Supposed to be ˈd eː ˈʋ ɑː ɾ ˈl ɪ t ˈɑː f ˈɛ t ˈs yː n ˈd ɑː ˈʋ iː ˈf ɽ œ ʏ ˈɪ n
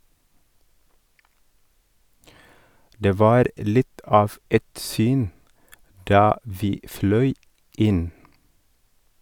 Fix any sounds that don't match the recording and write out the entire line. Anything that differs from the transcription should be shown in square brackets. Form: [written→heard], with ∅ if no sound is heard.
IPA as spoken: ˈd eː ˈʋ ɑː ɾ ˈl ɪ t ˈɑː f ˈɛ t ˈs yː n ˈd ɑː ˈʋ iː ˈf [ɽ→l] œ ʏ ˈɪ n